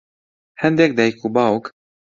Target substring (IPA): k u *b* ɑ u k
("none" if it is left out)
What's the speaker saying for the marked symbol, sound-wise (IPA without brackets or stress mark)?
b